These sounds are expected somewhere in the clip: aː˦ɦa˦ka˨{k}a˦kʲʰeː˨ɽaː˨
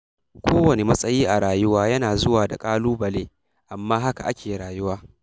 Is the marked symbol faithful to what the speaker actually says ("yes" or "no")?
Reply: no